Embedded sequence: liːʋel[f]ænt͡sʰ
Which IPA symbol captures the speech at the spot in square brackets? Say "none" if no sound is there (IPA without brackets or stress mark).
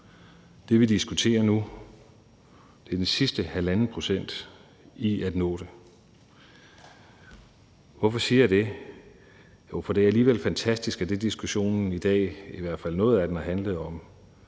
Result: f